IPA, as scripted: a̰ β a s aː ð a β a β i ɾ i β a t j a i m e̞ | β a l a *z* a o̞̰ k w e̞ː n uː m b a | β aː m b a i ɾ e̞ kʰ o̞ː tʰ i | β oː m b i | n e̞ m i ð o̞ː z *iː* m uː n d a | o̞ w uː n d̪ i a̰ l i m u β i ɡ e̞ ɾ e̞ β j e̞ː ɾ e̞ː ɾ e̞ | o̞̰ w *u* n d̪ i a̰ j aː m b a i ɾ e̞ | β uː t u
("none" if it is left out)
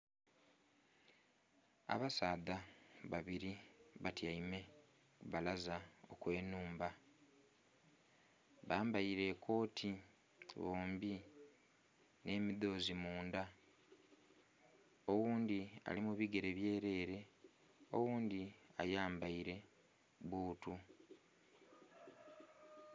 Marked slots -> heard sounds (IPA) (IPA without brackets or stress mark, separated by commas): z, i, uː